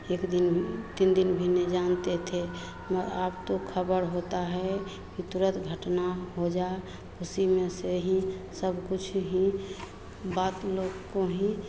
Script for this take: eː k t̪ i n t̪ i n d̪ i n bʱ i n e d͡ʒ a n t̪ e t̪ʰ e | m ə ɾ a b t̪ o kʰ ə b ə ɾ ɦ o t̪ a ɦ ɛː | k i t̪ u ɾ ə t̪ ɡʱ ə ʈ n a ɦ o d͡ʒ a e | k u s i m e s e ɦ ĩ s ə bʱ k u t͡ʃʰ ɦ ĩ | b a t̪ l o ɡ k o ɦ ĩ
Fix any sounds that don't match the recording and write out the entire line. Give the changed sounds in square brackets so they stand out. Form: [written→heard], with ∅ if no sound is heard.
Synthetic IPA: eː k [t̪→d̪] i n t̪ i n d̪ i n bʱ i n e d͡ʒ a n t̪ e t̪ʰ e | m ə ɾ a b t̪ o kʰ ə b ə ɾ ɦ o t̪ a ɦ [ɛː→ɛ] | k i t̪ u ɾ ə t̪ ɡʱ ə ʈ n a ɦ o d͡ʒ a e | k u s i m e s e ɦ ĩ s ə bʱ k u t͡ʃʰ ɦ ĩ | b a t̪ l o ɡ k o ɦ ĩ